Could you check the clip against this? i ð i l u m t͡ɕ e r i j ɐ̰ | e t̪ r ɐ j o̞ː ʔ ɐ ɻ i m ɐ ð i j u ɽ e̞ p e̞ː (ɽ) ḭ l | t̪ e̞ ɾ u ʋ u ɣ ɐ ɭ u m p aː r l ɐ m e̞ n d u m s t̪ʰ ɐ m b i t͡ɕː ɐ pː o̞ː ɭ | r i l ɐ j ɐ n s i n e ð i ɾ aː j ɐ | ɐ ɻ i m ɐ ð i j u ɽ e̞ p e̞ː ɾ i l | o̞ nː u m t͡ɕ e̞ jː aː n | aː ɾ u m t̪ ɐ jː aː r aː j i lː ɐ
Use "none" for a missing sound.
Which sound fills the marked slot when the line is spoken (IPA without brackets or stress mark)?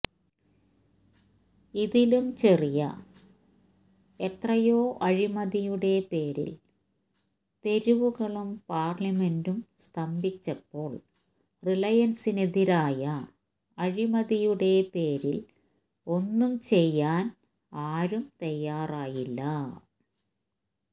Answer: ɾ